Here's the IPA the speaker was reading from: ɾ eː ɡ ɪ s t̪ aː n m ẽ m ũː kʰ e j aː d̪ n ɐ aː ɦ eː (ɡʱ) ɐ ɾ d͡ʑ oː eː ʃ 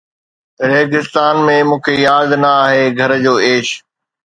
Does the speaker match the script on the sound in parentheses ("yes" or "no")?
yes